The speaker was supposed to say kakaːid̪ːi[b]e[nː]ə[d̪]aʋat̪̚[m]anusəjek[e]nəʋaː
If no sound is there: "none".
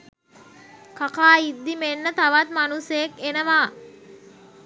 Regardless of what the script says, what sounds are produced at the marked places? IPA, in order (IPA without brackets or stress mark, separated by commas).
m, nː, t̪, m, e